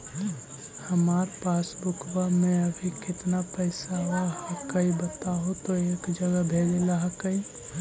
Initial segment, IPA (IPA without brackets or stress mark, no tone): h